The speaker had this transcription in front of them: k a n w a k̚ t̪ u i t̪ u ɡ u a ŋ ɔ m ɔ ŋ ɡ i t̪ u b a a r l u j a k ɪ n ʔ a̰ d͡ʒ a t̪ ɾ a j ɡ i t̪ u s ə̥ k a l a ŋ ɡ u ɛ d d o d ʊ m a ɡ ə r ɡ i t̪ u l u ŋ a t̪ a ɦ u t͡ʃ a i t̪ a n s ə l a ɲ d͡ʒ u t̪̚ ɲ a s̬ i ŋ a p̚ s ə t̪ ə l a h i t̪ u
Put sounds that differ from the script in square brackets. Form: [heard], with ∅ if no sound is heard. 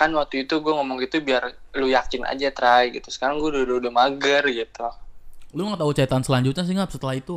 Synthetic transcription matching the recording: k a n w a k̚ t̪ u i t̪ u ɡ u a ŋ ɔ m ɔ ŋ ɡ i t̪ u b [i] a r l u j a k ɪ n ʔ a̰ d͡ʒ a t̪ ɾ a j ɡ i t̪ u s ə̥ k a [ɾ] a ŋ ɡ u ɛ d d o d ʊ m a ɡ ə r ɡ i t̪ u l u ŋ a t̪ a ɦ u t͡ʃ a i t̪ a n s ə l a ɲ d͡ʒ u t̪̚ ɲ a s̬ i ŋ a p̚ s ə t̪ ə l a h i t̪ u